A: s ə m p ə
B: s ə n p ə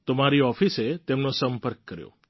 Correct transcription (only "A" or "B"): A